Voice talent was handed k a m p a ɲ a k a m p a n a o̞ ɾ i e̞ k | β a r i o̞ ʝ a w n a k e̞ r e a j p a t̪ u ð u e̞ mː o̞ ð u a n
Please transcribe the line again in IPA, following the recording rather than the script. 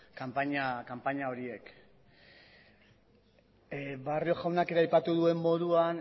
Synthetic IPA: k a m p a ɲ a k a m p a ɲ a o̞ ɾ i e̞ k | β a r i o̞ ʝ a w n a k e̞ ɾ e a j p a t̪ u ð u e̞ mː o̞ ð u a n